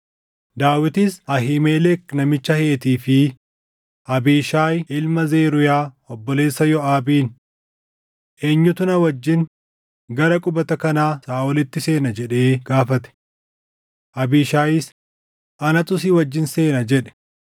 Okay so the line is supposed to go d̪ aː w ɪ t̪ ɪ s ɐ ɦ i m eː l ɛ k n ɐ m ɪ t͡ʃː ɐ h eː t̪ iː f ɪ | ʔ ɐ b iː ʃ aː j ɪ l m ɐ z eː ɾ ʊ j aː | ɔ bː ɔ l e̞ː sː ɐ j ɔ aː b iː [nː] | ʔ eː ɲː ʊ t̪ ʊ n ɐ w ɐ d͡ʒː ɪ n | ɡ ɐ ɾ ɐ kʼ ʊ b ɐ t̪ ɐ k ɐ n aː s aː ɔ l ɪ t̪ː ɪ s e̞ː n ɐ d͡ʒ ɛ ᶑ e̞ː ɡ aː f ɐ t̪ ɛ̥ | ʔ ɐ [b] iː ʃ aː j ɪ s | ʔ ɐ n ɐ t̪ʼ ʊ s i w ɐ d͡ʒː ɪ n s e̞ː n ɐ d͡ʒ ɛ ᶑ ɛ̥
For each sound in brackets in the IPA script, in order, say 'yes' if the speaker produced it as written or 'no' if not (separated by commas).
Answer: no, yes